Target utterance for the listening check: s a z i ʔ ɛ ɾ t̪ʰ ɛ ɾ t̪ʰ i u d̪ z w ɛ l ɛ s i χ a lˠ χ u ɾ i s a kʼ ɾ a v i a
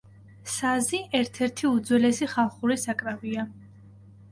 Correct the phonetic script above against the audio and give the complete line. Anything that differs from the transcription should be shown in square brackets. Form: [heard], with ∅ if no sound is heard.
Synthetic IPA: s a z i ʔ ɛ ɾ t̪ʰ ɛ ɾ t̪ʰ i u d̪ z w ɛ l ɛ s i χ a lˠ χ u ɾ i s a kʼ ɾ a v i a